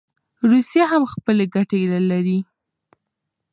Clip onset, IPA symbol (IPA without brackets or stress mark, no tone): ɾ